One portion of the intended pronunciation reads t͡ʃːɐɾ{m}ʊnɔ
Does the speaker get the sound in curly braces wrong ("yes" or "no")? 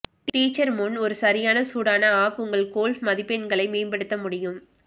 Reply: no